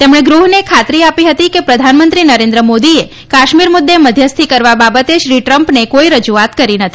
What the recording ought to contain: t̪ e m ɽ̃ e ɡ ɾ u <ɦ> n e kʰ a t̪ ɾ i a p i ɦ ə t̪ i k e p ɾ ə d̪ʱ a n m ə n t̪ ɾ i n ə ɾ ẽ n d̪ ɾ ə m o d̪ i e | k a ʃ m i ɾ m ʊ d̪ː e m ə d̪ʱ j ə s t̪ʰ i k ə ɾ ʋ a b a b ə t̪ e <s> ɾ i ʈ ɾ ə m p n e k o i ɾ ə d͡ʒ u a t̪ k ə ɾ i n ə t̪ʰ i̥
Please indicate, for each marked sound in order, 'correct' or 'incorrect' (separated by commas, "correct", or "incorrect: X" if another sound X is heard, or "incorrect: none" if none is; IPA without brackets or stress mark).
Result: correct, incorrect: ʃ